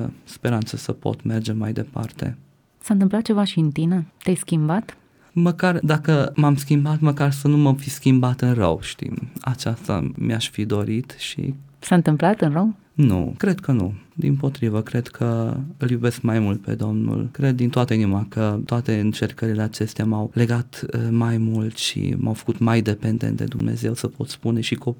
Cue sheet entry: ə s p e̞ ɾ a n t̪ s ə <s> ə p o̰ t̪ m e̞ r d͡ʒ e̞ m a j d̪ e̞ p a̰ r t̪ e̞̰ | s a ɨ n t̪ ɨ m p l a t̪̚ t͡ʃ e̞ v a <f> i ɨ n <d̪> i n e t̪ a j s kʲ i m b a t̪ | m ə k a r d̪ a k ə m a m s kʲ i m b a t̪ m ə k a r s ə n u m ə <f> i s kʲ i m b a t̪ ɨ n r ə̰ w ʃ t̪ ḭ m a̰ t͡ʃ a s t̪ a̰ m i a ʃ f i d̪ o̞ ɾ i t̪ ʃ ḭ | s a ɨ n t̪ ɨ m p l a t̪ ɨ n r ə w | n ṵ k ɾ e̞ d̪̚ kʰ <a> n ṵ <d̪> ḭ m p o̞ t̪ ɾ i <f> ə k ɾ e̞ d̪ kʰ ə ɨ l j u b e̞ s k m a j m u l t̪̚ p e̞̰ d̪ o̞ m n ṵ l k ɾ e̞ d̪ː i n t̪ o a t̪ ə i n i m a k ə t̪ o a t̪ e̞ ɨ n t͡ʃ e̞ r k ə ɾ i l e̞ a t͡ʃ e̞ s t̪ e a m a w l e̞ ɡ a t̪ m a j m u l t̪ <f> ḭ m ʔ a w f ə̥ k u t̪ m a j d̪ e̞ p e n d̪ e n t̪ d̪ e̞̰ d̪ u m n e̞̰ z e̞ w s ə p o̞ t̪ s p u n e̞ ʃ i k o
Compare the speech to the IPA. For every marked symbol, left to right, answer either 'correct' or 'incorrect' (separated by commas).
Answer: correct, incorrect, incorrect, correct, incorrect, correct, incorrect, incorrect